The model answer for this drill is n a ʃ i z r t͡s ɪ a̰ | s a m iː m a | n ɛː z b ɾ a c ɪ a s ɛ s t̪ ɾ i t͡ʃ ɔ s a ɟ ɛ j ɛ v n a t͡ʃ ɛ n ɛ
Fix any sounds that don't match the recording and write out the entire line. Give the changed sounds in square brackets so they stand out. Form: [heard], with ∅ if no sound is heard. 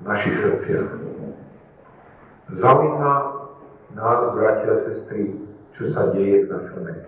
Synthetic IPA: n a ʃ i [s] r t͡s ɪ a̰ | [z] a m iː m a | n [aː] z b ɾ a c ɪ a s ɛ s t̪ ɾ i t͡ʃ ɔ s a ɟ ɛ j ɛ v n a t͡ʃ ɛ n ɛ